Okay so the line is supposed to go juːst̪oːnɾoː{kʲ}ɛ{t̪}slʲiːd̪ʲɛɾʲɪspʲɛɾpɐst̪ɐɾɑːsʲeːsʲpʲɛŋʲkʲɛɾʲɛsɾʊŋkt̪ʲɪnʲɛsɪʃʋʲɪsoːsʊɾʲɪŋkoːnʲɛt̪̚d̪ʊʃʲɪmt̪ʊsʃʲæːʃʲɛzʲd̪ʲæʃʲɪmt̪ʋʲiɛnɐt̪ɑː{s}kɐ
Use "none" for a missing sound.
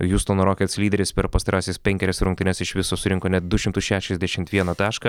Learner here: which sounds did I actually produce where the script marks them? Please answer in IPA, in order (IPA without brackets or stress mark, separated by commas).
kʲ, t̪, ʃ